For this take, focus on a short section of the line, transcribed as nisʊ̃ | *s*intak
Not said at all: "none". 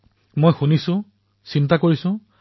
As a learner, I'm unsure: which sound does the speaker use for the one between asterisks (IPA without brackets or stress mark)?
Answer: s